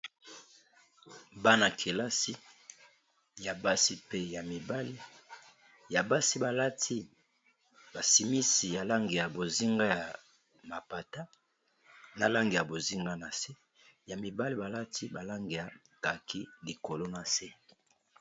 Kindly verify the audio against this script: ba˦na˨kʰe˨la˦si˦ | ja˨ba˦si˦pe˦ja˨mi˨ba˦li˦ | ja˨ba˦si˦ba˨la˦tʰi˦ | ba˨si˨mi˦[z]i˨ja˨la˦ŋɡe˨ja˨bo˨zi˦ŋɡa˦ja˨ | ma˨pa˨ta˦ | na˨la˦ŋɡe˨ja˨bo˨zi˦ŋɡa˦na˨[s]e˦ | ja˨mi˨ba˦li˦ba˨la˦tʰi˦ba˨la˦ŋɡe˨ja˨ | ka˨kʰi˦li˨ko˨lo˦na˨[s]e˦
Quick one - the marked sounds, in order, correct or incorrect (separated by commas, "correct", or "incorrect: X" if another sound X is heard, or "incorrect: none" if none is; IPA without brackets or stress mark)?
incorrect: s, correct, correct